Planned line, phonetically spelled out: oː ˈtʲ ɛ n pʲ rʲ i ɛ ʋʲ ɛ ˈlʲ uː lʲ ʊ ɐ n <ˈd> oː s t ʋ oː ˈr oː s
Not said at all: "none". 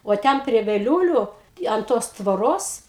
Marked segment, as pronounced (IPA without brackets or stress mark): t